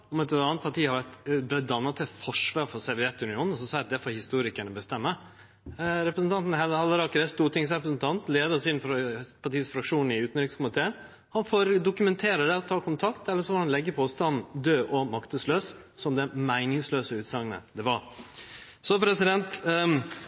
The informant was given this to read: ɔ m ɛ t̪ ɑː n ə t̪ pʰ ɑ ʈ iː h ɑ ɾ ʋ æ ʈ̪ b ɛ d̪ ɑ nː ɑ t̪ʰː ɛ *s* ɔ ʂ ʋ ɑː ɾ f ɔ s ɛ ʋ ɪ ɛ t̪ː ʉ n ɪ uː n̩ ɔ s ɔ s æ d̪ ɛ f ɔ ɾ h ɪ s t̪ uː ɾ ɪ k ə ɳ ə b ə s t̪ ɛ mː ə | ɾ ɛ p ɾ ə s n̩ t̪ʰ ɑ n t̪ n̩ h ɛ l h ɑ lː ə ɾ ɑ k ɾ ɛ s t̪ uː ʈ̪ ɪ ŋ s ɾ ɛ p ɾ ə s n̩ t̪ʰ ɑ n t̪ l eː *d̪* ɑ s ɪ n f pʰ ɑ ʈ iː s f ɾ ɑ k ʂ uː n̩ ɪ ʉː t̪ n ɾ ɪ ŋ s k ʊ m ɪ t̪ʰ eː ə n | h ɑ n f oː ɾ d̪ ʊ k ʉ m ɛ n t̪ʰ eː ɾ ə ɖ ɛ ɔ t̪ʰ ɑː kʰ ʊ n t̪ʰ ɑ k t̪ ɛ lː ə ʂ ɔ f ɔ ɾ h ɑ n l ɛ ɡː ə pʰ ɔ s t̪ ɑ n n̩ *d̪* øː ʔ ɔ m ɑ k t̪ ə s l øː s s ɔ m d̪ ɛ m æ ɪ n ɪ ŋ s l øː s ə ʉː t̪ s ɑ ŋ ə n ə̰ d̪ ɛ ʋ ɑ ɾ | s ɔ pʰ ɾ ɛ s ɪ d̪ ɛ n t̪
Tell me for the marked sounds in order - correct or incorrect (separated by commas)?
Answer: incorrect, correct, correct